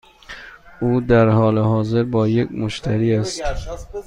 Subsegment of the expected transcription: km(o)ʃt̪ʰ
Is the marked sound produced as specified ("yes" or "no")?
yes